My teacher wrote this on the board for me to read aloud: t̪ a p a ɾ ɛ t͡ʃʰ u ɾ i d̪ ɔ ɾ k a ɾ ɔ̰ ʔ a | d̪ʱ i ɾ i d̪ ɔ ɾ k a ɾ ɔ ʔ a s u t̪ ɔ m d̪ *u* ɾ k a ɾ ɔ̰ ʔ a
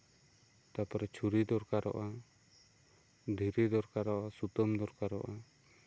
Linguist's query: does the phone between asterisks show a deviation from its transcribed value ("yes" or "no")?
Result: yes